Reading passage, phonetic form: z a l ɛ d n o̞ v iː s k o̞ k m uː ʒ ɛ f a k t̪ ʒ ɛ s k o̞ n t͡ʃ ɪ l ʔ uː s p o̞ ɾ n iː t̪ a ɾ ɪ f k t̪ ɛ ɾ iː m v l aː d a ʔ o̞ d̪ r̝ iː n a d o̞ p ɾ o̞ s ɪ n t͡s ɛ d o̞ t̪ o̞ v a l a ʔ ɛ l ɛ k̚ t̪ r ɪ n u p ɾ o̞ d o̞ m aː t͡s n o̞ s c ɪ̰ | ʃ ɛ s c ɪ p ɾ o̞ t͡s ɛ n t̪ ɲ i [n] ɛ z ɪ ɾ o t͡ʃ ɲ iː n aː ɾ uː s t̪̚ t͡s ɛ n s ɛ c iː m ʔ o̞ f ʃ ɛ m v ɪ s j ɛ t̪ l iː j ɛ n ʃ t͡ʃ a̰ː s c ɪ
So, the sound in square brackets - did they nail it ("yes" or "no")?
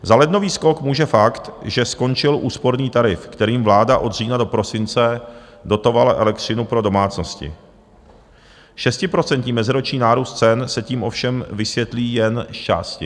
no